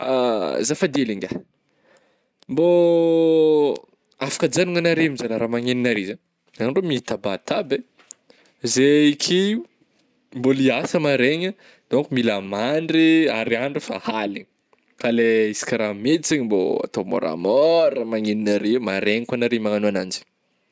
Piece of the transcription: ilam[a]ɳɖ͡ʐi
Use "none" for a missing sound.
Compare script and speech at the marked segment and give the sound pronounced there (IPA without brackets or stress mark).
a